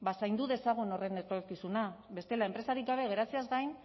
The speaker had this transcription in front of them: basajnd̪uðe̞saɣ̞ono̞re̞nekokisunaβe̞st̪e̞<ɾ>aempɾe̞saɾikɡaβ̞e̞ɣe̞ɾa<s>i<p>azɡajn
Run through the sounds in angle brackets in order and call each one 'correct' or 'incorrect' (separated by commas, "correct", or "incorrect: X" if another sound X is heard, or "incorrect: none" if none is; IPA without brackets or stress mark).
incorrect: l, incorrect: t͡s, incorrect: none